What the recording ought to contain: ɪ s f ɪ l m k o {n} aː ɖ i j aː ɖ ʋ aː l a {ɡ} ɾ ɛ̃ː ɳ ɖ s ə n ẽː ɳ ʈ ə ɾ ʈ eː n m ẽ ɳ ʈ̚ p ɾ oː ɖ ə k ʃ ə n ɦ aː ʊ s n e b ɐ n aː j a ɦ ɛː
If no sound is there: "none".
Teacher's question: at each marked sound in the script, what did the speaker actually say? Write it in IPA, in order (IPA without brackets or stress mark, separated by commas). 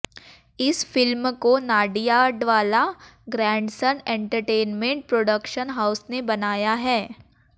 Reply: n, ɡ